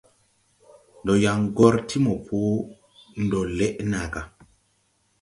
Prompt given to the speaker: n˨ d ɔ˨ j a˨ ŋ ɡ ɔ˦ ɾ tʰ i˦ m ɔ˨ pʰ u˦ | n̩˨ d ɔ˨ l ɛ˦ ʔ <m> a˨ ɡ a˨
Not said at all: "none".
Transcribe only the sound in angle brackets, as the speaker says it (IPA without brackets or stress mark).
n